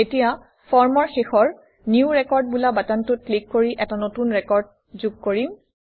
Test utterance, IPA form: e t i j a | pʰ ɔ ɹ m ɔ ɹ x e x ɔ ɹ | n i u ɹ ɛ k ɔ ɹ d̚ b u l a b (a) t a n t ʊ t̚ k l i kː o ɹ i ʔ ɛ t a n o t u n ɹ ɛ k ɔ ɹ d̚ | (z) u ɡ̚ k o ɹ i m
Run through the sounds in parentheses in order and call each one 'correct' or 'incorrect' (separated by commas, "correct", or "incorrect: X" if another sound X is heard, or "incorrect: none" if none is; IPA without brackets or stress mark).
correct, correct